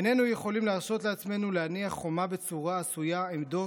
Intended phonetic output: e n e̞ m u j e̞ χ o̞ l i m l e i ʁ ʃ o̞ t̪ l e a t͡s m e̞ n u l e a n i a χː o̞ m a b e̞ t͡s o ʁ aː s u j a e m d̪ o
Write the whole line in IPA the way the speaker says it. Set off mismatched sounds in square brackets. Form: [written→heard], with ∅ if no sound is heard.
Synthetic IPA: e n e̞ [m→n] u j e̞ χ o̞ l i m l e [i→a] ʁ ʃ o̞ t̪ l e a t͡s m e̞ n u l e a n i a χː o̞ m a b e̞ t͡s [o→u] ʁ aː s u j a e m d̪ o